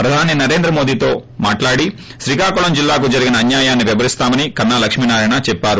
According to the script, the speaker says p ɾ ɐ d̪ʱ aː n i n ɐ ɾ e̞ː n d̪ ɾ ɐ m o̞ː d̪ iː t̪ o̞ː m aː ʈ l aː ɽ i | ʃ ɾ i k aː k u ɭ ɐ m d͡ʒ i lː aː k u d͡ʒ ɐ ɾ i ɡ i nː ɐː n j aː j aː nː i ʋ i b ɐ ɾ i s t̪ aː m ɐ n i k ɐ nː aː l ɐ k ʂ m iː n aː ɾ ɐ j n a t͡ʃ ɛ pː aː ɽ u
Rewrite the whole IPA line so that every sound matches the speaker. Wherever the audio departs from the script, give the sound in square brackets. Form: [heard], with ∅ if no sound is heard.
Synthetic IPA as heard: p ɾ ɐ d̪ʱ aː n i n ɐ ɾ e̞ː n d̪ ɾ ɐ m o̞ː d̪ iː t̪ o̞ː m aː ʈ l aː ɽ i | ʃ ɾ i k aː k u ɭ ɐ m d͡ʒ i lː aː k u d͡ʒ ɐ ɾ i ɡ i [n] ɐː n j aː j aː nː i ʋ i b ɐ ɾ i s t̪ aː m ɐ n i k ɐ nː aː l ɐ k ʂ m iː n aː ɾ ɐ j n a t͡ʃ ɛ pː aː [ɾ] u